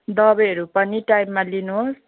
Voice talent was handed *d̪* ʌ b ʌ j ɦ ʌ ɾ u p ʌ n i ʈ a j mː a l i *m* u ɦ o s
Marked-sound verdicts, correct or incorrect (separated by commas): correct, incorrect